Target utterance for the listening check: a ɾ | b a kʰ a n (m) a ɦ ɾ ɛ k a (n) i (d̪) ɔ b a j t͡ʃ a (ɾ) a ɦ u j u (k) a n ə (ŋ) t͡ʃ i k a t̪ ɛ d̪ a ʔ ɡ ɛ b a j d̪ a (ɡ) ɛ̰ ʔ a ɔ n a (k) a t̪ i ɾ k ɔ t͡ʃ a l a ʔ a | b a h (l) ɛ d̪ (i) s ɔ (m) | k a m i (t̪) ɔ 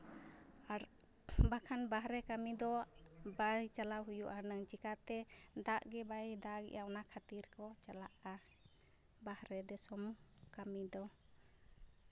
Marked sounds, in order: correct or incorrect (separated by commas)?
incorrect, incorrect, correct, incorrect, incorrect, correct, correct, incorrect, incorrect, incorrect, correct, incorrect